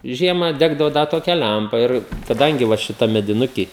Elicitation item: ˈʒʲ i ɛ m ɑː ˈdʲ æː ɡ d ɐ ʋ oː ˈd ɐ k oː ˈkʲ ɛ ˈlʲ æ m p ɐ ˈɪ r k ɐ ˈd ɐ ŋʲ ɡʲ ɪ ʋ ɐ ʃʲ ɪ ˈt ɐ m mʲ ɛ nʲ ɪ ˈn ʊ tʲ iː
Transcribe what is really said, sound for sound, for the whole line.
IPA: ˈʒʲ i ɛ m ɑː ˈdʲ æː ɡ d ɐ ʋ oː ˈd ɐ t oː ˈkʲ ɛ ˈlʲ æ m p ɐ ˈɪ r k ɐ ˈd ɐ ŋʲ ɡʲ ɪ ʋ ɐ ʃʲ ɪ ˈt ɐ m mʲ ɛ dʲ ɪ ˈn ʊ kʲ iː